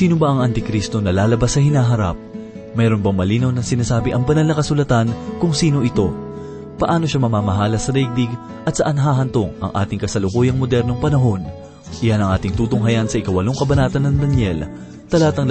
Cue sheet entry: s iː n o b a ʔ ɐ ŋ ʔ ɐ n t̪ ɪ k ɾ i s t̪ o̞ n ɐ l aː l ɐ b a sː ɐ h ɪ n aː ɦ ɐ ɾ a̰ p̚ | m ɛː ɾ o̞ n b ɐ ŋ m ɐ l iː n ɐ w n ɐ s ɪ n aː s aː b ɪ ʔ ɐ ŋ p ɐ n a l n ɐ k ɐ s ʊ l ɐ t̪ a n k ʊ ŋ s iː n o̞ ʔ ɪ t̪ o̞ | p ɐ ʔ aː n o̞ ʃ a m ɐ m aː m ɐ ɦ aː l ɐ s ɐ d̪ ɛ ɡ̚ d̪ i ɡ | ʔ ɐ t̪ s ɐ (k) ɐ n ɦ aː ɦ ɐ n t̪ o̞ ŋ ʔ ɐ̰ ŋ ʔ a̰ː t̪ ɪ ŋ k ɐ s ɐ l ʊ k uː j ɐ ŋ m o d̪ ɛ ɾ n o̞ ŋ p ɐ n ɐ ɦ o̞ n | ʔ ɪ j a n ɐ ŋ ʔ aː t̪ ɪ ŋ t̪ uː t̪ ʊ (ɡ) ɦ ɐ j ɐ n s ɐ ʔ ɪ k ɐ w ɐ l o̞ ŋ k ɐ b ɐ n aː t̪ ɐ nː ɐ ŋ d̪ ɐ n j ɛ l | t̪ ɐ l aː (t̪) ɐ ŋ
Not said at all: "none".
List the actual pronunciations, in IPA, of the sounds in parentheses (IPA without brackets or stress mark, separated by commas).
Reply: ʔ, ŋ, t̪